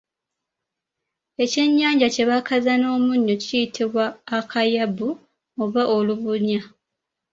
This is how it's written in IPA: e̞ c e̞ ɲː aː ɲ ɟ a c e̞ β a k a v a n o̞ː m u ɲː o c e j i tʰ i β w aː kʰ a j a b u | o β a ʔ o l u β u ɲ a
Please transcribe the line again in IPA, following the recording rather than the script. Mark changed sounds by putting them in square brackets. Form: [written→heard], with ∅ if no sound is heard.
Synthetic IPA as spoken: e̞ c e̞ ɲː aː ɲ ɟ a c e̞ β a k a [v→z] a n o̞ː m u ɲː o c [e→i] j i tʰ i β w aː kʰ a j a b u | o β a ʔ o l u β u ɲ a